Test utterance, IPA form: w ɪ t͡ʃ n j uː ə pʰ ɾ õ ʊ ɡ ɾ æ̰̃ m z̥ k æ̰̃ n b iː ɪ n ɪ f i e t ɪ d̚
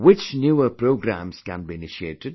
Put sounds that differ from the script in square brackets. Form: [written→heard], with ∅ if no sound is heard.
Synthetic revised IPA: w ɪ t͡ʃ n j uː ə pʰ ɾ [õ→o] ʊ ɡ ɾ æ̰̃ m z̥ k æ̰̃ n b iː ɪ n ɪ [f→ʃ] i e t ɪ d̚